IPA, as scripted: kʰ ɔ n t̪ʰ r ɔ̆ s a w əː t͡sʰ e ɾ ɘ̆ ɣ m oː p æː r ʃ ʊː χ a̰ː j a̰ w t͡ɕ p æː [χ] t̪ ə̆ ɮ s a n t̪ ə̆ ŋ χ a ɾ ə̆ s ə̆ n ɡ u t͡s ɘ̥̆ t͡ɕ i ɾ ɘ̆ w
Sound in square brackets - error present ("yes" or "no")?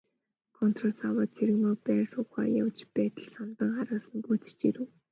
yes